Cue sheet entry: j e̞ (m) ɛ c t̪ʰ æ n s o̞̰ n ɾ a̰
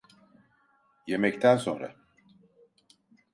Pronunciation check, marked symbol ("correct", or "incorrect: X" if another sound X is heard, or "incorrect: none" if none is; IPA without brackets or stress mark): correct